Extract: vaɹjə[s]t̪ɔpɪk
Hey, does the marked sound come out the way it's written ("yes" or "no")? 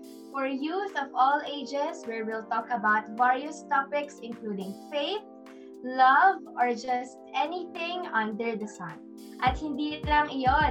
yes